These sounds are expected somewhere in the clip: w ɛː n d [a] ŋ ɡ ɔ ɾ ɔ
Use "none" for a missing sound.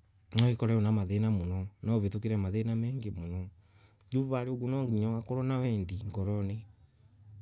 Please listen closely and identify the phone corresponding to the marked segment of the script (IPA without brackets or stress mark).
i